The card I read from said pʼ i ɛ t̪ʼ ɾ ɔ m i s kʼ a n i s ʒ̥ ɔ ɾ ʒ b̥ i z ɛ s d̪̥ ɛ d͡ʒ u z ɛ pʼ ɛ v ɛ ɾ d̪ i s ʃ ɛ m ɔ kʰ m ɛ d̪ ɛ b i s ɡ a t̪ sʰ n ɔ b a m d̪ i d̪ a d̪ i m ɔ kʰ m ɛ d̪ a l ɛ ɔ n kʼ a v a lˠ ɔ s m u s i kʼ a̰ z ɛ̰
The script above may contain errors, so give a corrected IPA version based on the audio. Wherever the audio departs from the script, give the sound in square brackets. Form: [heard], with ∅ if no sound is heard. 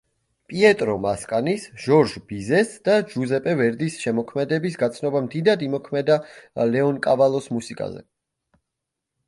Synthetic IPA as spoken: pʼ i ɛ t̪ʼ ɾ ɔ m [a] s kʼ a n i s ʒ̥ ɔ ɾ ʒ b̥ i z ɛ s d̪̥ [a] d͡ʒ u z ɛ pʼ ɛ v ɛ ɾ d̪ i s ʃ ɛ m ɔ kʰ m ɛ d̪ ɛ b i s ɡ a t̪ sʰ n ɔ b a m d̪ i d̪ a d̪ i m ɔ kʰ m ɛ d̪ a l ɛ ɔ n kʼ a v a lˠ ɔ s m u s i kʼ a̰ z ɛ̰

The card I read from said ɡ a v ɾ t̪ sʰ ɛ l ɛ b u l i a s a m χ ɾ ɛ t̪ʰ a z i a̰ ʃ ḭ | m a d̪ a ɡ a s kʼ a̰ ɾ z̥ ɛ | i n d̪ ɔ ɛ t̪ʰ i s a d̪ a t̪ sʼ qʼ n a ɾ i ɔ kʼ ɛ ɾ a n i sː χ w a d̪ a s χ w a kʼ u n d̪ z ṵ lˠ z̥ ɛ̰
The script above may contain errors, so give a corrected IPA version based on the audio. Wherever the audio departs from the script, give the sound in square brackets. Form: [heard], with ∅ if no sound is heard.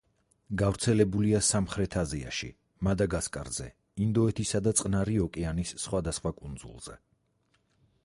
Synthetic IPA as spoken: ɡ a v ɾ t̪ sʰ ɛ l ɛ b u l i a s a m χ ɾ ɛ t̪ʰ a z i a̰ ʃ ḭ | m a d̪ a ɡ a s kʼ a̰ ɾ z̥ ɛ | i n d̪ ɔ ɛ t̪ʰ i s a d̪ a t̪ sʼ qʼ n a ɾ i ɔ kʼ ɛ [∅] a n i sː χ w a d̪ a s χ w a kʼ u n d̪ z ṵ lˠ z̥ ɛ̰

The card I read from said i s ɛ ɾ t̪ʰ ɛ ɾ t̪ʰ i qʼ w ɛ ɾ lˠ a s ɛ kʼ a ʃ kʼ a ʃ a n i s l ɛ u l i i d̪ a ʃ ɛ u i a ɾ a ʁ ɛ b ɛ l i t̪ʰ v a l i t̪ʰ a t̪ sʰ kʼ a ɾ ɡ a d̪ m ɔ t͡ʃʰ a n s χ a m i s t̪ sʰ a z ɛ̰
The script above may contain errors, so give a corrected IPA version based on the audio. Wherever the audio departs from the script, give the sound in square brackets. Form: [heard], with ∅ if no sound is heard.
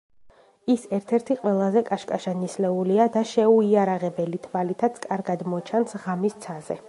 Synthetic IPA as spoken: i s ɛ ɾ t̪ʰ ɛ ɾ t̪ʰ i qʼ w ɛ [∅] lˠ a [z] ɛ kʼ a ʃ kʼ a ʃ a n i s l ɛ u l i [a] d̪ a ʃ ɛ u i a ɾ a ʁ ɛ b ɛ l i t̪ʰ v a l i t̪ʰ a t̪ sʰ kʼ a ɾ ɡ a d̪ m ɔ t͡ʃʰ a n s [ʁ] a m i s t̪ sʰ a z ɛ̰

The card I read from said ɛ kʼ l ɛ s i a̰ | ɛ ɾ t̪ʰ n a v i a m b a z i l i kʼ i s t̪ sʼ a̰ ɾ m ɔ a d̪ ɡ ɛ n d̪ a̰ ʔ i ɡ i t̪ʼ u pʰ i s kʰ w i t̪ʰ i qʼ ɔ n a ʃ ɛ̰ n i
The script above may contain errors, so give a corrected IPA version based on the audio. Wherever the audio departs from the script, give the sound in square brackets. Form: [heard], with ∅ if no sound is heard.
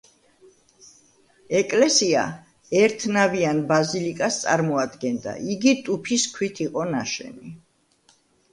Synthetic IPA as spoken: ɛ kʼ l ɛ s i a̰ | ɛ ɾ t̪ʰ n a v i a [n] b a z i l i kʼ [a] s t̪ sʼ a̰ ɾ m ɔ a d̪ ɡ ɛ n d̪ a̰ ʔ i ɡ i t̪ʼ u pʰ i s kʰ w i t̪ʰ i qʼ ɔ n a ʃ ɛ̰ n i

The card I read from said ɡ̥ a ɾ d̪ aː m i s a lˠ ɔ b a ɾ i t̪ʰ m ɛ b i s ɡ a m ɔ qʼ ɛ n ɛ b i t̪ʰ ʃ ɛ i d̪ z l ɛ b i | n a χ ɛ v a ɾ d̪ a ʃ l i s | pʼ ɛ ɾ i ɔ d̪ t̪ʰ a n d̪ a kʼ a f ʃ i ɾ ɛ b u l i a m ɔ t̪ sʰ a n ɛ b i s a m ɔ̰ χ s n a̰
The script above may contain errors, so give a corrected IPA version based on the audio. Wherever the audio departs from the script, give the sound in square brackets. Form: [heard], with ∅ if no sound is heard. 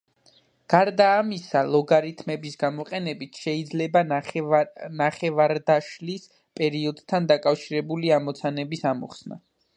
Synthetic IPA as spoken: ɡ̥ a ɾ d̪ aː m i s a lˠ ɔ [ɡ] a ɾ i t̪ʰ m ɛ b i s ɡ a m ɔ qʼ ɛ n ɛ b i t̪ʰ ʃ ɛ i d̪ z l ɛ b [a] | n a χ ɛ v a ɾ d̪ a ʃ l i s | pʼ ɛ ɾ i ɔ d̪ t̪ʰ a n d̪ a kʼ a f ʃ i ɾ ɛ b u l i a m ɔ t̪ sʰ a n ɛ b i s a m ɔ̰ χ s n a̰

